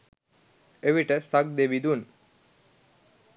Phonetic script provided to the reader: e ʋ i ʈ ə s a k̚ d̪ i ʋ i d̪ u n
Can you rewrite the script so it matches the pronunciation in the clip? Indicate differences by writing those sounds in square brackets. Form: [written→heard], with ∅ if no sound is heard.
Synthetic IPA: e ʋ i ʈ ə s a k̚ d̪ [i→e] ʋ i d̪ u n